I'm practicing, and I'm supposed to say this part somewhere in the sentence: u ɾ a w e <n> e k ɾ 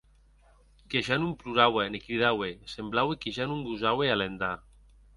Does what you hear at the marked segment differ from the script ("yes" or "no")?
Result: no